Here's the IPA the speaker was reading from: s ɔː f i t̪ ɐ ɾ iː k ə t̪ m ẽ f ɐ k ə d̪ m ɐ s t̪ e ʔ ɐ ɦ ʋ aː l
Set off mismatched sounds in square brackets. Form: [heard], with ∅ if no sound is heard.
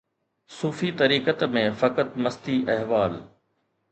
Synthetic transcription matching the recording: s [uː] f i t̪ ɐ ɾ iː k ə t̪ m ẽ f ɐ k ə [t̪] m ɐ s t̪ [i] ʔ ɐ ɦ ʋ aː l

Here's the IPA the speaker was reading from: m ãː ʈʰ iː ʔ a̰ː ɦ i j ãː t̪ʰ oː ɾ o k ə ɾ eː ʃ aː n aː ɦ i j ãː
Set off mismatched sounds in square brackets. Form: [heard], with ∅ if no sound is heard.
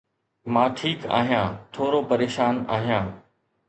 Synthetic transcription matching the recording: m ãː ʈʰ iː [k] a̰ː ɦ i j ãː t̪ʰ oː ɾ o [p] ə ɾ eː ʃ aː n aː ɦ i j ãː

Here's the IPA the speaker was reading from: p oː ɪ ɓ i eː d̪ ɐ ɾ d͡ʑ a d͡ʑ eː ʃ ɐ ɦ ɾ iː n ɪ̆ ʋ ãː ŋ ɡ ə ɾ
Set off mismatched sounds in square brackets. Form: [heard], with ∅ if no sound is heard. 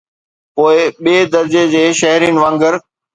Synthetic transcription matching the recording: p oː ɪ ɓ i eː d̪ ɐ ɾ d͡ʑ [e] d͡ʑ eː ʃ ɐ ɦ ɾ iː n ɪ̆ ʋ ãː ŋ ɡ ə ɾ

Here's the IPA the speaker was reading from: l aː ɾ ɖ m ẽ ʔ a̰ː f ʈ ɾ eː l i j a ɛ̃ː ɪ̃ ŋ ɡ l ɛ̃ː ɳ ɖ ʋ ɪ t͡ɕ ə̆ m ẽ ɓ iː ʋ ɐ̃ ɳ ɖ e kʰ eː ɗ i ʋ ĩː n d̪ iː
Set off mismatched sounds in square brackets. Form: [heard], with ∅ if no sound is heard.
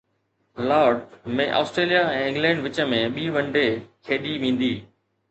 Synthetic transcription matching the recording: l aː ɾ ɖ m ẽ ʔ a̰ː [s] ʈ ɾ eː l i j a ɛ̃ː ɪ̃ ŋ ɡ l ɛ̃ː ɳ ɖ ʋ ɪ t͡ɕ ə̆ m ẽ ɓ iː ʋ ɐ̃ ɳ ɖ e kʰ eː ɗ i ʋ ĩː n d̪ iː

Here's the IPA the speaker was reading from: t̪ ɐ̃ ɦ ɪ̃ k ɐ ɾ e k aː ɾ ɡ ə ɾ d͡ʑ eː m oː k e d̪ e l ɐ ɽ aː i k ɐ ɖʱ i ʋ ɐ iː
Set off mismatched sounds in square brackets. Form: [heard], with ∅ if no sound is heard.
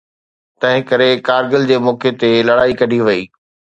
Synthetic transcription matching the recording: t̪ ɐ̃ ɦ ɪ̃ k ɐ ɾ e k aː ɾ ɡ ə [l] d͡ʑ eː m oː k e [t̪] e l ɐ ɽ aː i k ɐ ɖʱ i ʋ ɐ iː

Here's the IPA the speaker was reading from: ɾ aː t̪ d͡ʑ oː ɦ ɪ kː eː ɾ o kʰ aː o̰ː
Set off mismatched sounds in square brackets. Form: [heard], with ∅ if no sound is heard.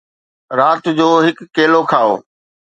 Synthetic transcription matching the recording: ɾ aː t̪ d͡ʑ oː ɦ ɪ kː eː [l] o kʰ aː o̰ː

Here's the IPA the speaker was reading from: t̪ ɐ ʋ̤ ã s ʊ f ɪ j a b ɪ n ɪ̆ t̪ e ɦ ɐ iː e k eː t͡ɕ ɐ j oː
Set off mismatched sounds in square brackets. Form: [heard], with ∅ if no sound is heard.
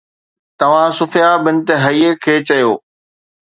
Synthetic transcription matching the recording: t̪ ɐ ʋ̤ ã s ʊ f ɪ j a b ɪ n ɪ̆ t̪ e ɦ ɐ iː e [kʰ] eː t͡ɕ ɐ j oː

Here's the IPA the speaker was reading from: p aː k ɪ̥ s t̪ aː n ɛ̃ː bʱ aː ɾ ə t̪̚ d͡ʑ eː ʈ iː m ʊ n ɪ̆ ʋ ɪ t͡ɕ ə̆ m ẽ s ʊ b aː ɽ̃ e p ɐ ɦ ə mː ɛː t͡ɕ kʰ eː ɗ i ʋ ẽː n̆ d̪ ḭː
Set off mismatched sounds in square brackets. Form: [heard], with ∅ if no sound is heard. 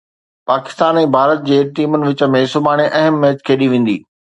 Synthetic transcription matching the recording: p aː k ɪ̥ s t̪ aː n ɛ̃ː bʱ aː ɾ ə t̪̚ d͡ʑ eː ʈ iː m ʊ n ɪ̆ ʋ ɪ t͡ɕ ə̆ m ẽ s ʊ b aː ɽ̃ e [ʔ] ɐ ɦ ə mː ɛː t͡ɕ kʰ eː ɗ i ʋ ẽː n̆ d̪ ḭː

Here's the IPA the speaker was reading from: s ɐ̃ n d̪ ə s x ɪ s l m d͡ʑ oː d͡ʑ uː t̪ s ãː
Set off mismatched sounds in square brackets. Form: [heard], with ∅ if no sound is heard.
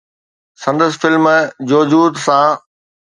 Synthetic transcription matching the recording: s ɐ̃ n d̪ ə s [f] ɪ [∅] l m d͡ʑ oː d͡ʑ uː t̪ s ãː

